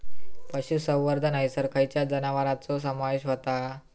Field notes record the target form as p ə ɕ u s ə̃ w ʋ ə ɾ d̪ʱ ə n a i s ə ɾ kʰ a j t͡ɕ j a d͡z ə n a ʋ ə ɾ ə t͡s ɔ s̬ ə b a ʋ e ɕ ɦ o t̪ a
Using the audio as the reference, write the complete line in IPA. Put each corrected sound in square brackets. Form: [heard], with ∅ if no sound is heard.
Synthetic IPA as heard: p ə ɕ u s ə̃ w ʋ ə ɾ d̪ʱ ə n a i s ə ɾ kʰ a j t͡ɕ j a d͡z ə n a ʋ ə ɾ [a] t͡s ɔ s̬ ə [m] a ʋ e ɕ ɦ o t̪ a